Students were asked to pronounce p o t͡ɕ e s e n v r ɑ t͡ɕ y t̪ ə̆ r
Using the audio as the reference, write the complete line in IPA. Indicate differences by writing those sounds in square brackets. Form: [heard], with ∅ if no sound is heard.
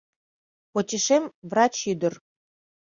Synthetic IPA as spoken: p o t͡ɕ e [ʃ] e [m] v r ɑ t͡ɕ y [d̪] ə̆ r